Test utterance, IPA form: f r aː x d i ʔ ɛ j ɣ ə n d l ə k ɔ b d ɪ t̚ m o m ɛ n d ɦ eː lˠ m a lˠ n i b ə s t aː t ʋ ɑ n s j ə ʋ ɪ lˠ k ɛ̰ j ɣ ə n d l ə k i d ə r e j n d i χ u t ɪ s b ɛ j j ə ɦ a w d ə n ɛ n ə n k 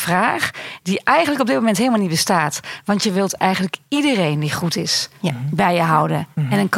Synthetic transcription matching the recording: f r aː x d i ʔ ɛ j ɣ ə n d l ə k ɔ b d ɪ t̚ m o m ɛ n t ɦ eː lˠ m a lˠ n i b ə s t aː t ʋ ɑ n t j ə ʋ ɪ lˠ t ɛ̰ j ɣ ə n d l ə k i d ə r e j n d i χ u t ɪ s b ɛ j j ə ɦ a w d ə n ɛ n ə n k